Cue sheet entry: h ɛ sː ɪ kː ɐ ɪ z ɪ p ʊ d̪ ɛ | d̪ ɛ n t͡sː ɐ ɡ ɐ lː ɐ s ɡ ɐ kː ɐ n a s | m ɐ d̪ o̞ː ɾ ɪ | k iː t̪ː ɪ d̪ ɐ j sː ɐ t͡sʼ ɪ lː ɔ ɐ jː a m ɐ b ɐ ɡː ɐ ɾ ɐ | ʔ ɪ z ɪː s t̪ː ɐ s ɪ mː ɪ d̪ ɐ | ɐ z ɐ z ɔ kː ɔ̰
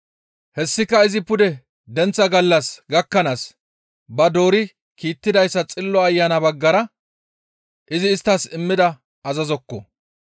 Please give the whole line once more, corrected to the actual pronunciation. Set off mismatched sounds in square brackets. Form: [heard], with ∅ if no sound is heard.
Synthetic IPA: h ɛ sː ɪ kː ɐ ɪ z ɪ p ʊ d̪ ɛ | d̪ ɛ n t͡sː ɐ ɡ ɐ lː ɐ s ɡ ɐ kː ɐ n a s | [b] ɐ d̪ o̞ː ɾ ɪ | k iː t̪ː ɪ d̪ ɐ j sː ɐ t͡sʼ ɪ lː ɔ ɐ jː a [n] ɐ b ɐ ɡː ɐ ɾ ɐ | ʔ ɪ z ɪː s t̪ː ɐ s ɪ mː ɪ d̪ ɐ | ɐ z ɐ z ɔ kː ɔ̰